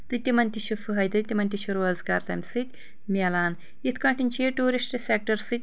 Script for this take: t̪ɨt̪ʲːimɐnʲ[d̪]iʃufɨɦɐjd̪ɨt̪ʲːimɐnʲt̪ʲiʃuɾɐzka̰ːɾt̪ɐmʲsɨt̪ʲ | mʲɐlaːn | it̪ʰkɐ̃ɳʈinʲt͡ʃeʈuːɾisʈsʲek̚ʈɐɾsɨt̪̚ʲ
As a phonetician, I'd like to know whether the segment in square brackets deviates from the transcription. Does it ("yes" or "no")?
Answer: yes